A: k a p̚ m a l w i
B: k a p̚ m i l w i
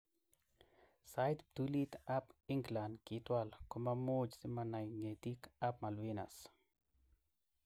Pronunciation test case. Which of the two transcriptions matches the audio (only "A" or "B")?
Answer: A